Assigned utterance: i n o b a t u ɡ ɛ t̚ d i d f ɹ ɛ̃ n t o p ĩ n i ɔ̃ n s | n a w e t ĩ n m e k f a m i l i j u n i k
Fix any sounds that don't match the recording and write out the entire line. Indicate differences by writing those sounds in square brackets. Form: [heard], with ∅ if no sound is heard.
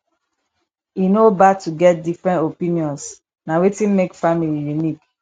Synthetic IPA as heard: i n o b a t u ɡ ɛ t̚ d i [∅] f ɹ ɛ̃ n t o p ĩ n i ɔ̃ n s | n a w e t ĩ n m e k f a m i l i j u n i k